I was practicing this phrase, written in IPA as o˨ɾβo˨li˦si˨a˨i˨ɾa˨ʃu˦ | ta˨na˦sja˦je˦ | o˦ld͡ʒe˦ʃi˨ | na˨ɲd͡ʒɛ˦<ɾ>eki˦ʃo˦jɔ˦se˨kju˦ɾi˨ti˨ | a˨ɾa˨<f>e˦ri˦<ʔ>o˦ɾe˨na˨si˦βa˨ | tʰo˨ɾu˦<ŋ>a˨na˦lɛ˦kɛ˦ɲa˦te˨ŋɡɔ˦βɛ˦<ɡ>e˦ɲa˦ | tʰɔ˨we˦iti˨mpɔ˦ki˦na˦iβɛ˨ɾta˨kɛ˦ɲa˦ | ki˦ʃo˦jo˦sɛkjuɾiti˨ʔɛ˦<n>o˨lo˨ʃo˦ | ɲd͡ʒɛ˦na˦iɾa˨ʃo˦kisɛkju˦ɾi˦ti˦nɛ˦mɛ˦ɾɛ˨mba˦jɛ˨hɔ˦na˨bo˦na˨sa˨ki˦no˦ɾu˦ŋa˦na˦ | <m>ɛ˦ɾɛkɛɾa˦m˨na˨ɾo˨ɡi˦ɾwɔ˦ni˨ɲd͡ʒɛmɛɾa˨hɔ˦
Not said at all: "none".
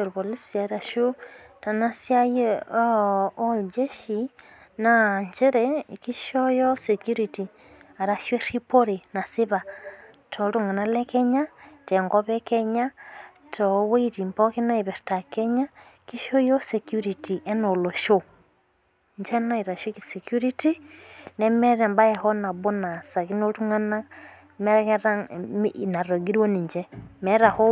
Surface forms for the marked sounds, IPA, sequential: ɾ, ʃ, p, ŋ, k, n, m

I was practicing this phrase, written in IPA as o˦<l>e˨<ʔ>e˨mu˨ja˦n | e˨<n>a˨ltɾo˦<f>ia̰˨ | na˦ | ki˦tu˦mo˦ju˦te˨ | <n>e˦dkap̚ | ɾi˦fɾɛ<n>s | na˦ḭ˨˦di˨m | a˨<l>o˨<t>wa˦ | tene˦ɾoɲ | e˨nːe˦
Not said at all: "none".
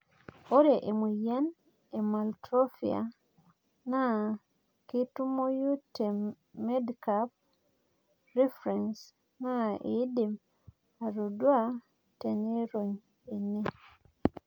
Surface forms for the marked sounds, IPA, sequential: ɾ, ʔ, m, f, m, n, ɾ, d

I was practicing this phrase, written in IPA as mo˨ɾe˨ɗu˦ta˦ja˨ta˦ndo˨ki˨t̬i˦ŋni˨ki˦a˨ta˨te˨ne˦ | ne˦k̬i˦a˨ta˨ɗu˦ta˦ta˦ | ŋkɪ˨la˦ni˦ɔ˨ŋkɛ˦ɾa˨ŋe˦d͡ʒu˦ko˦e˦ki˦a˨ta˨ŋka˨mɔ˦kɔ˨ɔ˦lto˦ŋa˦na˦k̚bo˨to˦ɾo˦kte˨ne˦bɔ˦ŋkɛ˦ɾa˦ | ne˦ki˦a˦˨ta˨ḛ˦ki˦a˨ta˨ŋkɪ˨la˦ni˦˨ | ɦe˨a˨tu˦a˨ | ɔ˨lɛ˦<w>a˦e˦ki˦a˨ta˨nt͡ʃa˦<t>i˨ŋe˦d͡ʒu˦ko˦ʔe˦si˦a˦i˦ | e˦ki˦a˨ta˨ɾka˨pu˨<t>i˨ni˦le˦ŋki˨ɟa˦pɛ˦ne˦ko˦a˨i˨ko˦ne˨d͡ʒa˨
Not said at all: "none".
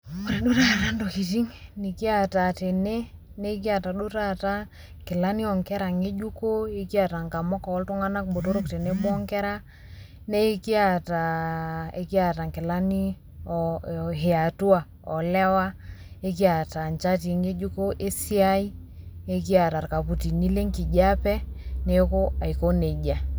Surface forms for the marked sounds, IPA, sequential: w, t, t

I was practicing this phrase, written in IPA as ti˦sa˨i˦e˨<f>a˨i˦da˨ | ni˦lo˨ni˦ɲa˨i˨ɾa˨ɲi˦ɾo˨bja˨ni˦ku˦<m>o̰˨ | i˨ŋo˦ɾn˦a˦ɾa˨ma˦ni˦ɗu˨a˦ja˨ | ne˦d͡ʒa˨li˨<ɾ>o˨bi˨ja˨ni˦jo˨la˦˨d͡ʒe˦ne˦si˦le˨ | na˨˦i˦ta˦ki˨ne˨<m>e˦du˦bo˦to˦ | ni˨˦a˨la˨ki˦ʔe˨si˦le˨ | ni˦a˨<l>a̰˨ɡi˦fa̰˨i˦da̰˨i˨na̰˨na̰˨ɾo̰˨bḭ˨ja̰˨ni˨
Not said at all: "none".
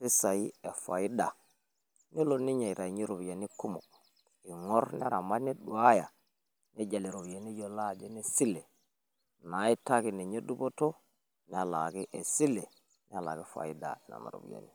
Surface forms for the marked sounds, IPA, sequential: f, m, ɾ, ɲ, l

